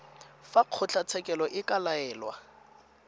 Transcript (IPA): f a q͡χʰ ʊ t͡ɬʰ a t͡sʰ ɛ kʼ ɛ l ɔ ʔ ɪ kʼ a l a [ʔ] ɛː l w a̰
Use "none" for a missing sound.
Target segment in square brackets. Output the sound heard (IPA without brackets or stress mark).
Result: none